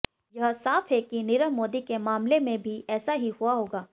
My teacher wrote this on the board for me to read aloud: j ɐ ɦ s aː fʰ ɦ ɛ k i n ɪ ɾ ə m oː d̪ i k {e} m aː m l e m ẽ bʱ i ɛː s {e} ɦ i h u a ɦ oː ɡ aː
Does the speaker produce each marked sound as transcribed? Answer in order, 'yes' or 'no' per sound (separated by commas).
yes, no